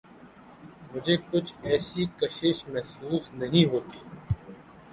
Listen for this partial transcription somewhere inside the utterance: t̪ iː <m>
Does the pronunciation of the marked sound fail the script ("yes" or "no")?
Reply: yes